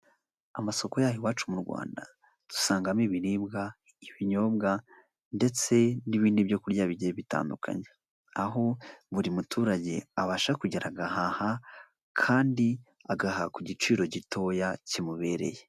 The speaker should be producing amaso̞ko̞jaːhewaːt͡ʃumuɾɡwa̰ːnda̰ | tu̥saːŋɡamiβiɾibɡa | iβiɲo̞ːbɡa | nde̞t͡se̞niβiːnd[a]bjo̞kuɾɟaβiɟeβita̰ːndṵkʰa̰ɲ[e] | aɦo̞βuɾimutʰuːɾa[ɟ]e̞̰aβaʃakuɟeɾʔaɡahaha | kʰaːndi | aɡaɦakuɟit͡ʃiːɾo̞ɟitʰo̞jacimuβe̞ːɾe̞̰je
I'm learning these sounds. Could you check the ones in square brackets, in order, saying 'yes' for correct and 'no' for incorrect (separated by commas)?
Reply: no, yes, yes